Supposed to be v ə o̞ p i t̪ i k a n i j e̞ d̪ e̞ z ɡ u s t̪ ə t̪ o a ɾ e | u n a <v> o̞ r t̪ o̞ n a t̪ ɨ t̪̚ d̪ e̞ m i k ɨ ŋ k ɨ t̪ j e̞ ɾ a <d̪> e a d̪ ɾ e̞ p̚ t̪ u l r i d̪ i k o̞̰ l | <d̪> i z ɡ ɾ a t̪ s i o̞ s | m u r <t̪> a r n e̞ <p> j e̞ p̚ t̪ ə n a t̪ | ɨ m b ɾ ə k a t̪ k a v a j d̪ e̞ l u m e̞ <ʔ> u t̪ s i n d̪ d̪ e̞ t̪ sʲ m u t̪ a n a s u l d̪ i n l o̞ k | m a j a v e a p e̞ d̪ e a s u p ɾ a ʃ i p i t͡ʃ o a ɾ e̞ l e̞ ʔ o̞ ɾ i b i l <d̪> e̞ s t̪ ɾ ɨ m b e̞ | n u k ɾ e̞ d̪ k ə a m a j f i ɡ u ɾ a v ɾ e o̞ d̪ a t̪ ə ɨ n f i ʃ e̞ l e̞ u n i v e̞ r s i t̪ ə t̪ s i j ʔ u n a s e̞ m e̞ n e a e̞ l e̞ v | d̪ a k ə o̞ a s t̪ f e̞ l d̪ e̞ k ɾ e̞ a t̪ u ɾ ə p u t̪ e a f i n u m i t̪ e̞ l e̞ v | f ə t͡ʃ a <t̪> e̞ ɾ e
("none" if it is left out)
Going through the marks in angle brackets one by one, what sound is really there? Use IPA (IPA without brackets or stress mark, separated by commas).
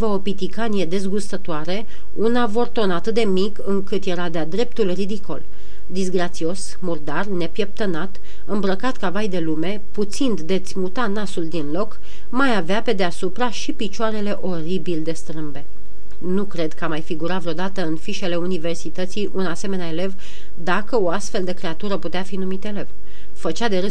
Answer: v, d̪, d̪, d̪, p, p, d̪, d̪